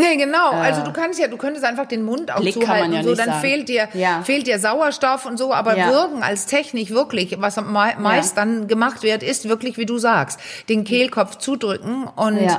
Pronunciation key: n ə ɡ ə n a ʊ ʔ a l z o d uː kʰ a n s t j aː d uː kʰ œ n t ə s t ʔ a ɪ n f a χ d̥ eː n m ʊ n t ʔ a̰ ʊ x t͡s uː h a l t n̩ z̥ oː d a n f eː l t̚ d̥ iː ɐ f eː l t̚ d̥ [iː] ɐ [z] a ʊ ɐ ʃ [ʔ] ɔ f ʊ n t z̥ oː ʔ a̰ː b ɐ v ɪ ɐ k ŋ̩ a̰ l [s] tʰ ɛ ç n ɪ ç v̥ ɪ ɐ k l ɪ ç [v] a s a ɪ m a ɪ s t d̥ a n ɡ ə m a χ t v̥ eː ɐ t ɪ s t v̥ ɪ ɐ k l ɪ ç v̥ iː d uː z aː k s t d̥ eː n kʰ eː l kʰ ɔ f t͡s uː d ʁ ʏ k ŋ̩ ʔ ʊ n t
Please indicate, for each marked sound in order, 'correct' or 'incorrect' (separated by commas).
correct, correct, incorrect, correct, correct